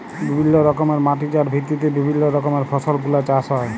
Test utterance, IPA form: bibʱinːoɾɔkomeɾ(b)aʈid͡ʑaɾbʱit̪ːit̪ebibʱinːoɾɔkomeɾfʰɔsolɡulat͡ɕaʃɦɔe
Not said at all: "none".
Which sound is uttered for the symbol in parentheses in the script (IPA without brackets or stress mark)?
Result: m